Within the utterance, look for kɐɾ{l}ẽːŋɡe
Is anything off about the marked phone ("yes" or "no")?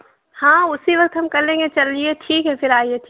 no